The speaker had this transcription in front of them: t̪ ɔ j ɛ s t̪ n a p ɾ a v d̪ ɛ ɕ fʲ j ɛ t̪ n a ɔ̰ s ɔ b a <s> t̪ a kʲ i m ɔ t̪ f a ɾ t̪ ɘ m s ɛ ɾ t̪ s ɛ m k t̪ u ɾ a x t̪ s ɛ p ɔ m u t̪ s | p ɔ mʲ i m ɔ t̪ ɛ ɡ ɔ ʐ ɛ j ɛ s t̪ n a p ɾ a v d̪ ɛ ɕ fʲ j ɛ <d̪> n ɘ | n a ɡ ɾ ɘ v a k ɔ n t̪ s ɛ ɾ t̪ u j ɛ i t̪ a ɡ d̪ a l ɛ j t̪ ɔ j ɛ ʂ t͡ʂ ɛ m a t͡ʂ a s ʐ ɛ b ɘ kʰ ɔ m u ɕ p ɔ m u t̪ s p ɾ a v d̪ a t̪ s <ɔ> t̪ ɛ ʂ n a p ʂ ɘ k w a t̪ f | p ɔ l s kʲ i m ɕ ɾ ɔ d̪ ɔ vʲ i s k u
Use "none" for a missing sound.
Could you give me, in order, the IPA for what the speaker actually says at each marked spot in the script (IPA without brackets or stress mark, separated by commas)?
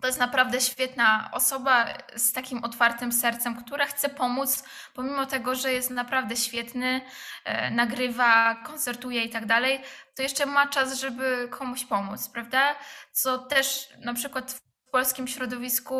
s, t̪, ɔ